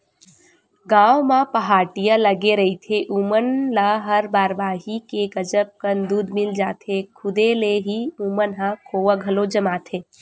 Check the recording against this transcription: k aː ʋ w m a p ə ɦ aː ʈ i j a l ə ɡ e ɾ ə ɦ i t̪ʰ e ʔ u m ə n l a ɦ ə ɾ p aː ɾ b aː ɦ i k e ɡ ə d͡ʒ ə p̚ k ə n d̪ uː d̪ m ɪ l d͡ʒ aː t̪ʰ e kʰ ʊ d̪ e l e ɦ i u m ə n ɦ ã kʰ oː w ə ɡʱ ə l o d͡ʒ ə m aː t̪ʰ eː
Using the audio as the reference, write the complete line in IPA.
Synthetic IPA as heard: ɡ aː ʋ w m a p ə ɦ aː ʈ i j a l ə ɡ e ɾ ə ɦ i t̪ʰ e ʔ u m ə n l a ɦ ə ɾ b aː ɾ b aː ɦ i k e ɡ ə d͡ʒ ə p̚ k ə n d̪ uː d̪ m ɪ l d͡ʒ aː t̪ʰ e kʰ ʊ d̪ e l e ɦ i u m ə n ɦ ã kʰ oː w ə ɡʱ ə l o d͡ʒ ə m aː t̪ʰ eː